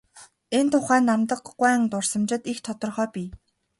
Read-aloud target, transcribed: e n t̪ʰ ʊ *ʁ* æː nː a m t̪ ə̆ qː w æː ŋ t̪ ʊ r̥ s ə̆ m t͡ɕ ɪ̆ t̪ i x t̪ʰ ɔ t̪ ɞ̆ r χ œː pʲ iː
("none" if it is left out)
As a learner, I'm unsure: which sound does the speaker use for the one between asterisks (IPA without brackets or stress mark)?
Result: χ